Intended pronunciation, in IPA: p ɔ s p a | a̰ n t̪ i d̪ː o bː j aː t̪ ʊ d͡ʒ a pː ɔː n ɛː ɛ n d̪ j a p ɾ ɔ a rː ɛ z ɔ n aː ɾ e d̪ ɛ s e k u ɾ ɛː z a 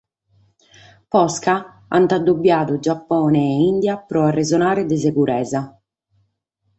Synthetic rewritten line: p ɔ s k a | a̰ n t̪ a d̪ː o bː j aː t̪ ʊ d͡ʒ a pː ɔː n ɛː i n d̪ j a p ɾ ɔ a rː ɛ z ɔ n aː ɾ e d̪ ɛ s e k u ɾ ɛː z a

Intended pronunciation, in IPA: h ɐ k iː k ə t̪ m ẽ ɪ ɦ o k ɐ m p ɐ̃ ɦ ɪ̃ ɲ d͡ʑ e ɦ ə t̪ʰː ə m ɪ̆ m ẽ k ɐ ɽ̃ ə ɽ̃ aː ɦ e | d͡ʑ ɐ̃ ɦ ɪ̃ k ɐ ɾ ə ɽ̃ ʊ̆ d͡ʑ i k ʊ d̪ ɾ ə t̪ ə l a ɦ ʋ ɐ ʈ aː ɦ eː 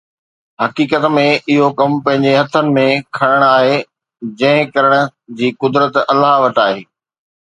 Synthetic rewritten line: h ɐ k iː k ə t̪ m ẽ ɪ ɦ o k ɐ m p ɐ̃ ɦ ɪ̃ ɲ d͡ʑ e ɦ ɐ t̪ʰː ə n ɪ̆ m ẽ kʰ ɐ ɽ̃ ə ɽ̃ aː ɦ e | d͡ʑ ɐ̃ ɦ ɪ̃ k ɐ ɾ ə ɽ̃ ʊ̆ d͡ʑ iː k ʊ d̪ ɾ ə t̪ ɐ l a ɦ ʋ ɐ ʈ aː ɦ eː

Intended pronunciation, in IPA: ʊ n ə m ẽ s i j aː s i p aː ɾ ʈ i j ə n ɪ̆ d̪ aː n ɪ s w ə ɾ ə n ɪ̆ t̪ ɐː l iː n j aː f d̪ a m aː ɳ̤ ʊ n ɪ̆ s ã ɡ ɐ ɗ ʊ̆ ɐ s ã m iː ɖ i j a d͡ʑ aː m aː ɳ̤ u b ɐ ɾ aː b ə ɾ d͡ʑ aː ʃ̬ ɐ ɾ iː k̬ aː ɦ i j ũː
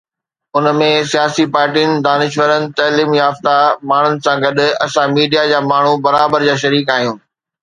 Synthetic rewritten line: ʊ n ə m ẽ s i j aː s i p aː ɾ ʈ i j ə n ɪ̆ d̪ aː n ɪ ʃ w ə ɾ ə n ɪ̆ t̪ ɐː l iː m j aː f t̪ a m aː ɳ̤ ʊ n ɪ̆ s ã ɡ ɐ ɗ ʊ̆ ɐ s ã m iː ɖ i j a d͡ʑ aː m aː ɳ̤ u b ɐ ɾ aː b ə ɾ d͡ʑ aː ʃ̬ ɐ ɾ iː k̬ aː ɦ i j ũː

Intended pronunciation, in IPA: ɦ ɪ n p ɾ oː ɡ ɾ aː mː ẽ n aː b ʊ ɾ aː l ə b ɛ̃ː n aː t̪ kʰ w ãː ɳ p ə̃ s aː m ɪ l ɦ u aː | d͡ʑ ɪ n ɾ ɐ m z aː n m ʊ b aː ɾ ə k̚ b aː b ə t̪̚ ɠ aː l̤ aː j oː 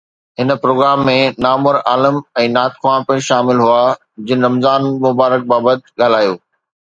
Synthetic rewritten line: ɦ ɪ n p ɾ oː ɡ ɾ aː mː ẽ n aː m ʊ ɾ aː l ə m ɛ̃ː n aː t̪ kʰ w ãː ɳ p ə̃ ʃ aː m ɪ l ɦ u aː | d͡ʑ ɪ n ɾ ɐ m z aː n m ʊ b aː ɾ ə k̚ b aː b ə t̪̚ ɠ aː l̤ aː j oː

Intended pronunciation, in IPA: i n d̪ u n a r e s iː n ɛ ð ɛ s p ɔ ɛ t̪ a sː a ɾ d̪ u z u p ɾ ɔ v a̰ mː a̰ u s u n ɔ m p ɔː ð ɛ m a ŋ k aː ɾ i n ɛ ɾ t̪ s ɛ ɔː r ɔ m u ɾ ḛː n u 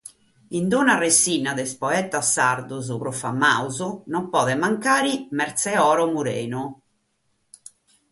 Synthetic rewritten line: i n d̪ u n a r e s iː n a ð ɛ s p ɔ ɛ t̪ a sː a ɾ d̪ u z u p ɾ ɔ f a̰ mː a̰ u z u n ɔ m p ɔː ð ɛ m a ŋ k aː ɾ i m ɛ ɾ t̪ s ɛ ɔː ɾ ɔ m u ɾ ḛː n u

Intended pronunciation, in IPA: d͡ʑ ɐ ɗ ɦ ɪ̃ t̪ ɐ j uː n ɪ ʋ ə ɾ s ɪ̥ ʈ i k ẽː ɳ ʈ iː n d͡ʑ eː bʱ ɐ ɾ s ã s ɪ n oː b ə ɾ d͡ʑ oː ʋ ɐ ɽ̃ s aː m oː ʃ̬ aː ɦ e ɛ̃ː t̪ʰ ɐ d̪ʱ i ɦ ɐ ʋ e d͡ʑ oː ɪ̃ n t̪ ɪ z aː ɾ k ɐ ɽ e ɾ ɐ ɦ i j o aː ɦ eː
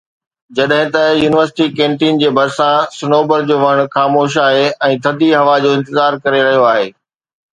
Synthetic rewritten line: d͡ʑ ɐ ɗ ɦ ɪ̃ t̪ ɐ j uː n ɪ ʋ ə ɾ s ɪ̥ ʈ i k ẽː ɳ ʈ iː n d͡ʑ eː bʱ ɐ ɾ s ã s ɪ n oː b ə ɾ d͡ʑ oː ʋ ɐ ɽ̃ x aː m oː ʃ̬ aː ɦ e ɛ̃ː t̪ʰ ɐ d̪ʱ i ɦ ɐ ʋ a d͡ʑ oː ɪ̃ n t̪ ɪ z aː ɾ k ɐ ɾ e ɾ ɐ ɦ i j o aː ɦ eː

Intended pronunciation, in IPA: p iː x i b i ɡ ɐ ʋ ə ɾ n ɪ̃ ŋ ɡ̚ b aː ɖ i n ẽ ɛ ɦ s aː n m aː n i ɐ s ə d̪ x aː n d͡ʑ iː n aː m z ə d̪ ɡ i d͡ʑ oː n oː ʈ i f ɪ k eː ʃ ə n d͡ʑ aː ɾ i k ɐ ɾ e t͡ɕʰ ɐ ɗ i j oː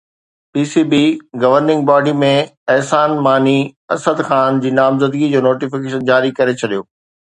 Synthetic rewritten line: p iː s i b i ɡ ɐ ʋ ə ɾ n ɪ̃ ŋ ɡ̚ b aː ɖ i m ẽ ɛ ɦ s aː n m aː n i ɐ s ə d̪ x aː n d͡ʑ iː n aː m z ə d̪ ɡ i d͡ʑ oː n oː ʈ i f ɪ k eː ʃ ə n d͡ʑ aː ɾ i k ɐ ɾ e t͡ɕʰ ɐ ɗ i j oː

